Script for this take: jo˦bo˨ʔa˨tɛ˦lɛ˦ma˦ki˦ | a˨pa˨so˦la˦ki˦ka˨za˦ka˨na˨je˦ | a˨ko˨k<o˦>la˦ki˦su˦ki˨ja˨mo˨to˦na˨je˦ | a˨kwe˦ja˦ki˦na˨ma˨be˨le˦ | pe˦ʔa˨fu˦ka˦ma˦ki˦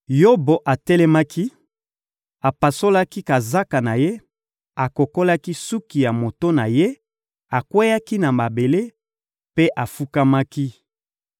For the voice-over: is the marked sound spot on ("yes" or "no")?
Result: yes